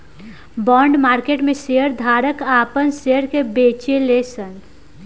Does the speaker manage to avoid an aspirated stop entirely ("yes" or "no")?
yes